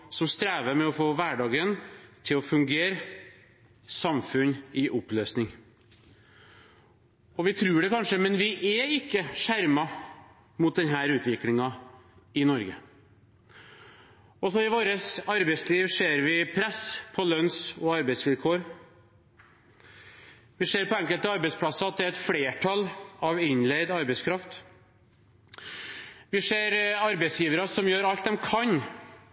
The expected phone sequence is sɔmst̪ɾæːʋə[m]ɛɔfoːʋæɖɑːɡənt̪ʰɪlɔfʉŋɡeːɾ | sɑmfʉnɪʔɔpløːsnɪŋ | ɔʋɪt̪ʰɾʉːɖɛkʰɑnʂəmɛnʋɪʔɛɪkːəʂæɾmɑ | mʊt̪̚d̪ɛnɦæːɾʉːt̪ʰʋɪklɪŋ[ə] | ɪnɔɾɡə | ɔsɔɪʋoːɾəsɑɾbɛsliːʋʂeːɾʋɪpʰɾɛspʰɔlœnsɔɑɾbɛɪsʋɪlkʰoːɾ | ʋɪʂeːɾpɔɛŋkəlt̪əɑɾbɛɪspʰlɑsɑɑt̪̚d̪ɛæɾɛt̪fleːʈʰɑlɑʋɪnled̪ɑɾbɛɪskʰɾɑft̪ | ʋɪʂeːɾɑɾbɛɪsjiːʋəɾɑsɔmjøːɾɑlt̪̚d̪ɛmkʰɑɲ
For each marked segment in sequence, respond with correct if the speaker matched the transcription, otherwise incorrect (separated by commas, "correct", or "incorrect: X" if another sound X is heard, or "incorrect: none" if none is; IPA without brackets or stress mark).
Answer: correct, incorrect: ɑ